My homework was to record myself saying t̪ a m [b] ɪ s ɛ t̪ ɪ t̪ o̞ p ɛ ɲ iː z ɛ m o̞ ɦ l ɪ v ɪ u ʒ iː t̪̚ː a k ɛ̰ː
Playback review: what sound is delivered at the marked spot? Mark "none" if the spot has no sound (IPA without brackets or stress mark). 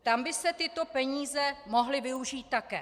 b